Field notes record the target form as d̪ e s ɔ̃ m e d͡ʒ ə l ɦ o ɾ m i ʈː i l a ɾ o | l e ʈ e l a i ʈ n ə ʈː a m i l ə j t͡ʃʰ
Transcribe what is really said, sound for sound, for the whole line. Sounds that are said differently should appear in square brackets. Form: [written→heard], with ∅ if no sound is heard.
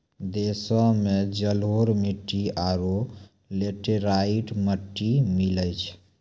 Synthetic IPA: d̪ e s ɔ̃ m e d͡ʒ ə l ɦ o ɾ m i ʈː i [l→∅] a ɾ o | l e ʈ e [l→ɾ] a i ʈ [n→m] ə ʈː [a→i] m i l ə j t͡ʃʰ